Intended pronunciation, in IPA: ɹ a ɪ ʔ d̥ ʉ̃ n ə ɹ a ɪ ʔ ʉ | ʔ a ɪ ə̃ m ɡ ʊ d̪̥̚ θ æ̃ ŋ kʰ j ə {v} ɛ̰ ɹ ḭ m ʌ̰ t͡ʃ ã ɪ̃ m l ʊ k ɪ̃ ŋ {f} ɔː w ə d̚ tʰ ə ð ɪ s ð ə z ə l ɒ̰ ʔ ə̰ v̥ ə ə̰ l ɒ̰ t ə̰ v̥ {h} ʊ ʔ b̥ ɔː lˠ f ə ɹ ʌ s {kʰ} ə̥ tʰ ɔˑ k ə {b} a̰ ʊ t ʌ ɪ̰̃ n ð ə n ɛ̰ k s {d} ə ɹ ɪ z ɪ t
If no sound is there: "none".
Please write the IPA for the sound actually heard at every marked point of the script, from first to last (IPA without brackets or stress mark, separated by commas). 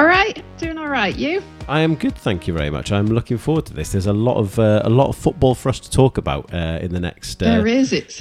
v, f, f, tʰ, b, t